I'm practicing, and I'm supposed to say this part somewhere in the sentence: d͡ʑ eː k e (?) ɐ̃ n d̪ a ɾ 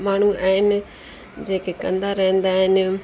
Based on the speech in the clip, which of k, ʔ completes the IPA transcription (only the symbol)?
k